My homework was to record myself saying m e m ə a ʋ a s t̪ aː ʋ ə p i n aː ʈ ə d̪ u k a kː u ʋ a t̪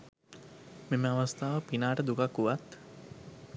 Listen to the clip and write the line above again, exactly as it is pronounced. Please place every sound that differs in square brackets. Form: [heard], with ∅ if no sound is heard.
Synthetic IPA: m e m ə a ʋ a s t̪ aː ʋ ə p i n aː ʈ ə d̪ u k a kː u ʋ a t̪